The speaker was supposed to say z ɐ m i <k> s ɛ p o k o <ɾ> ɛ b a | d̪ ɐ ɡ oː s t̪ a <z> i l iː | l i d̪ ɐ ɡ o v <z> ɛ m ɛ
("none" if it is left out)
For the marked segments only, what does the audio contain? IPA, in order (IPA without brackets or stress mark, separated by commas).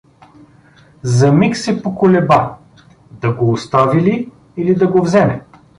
k, l, v, z